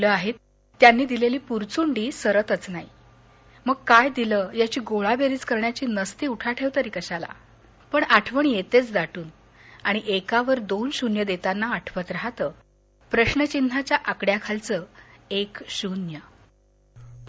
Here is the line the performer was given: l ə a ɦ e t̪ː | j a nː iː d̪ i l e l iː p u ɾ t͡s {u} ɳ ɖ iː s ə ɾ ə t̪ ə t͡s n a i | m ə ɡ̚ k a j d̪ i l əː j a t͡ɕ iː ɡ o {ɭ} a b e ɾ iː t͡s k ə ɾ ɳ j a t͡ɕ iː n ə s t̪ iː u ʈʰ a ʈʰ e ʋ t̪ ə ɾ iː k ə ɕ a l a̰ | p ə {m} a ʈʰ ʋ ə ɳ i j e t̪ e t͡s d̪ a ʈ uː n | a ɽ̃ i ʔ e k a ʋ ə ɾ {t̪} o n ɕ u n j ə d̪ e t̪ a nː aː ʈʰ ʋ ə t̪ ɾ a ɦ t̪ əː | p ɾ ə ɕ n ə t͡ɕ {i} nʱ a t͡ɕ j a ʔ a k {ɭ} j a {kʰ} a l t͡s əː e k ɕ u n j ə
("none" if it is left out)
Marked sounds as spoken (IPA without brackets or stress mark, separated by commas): u, ɭ, ɳ, d̪, i, ɽ, kʰ